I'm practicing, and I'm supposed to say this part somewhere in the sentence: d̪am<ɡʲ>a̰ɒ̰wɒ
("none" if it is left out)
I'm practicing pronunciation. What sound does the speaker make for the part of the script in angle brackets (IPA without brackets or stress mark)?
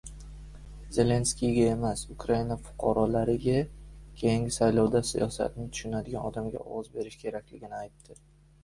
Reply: ɡʲ